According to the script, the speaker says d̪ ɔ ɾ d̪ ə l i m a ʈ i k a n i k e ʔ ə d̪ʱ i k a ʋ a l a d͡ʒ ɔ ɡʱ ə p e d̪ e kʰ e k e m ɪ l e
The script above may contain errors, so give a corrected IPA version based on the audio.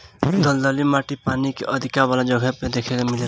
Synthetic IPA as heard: d̪ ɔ l d̪ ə l i m a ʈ i p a n i k e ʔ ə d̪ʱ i k a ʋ a l a d͡ʒ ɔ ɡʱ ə p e d̪ e kʰ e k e m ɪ l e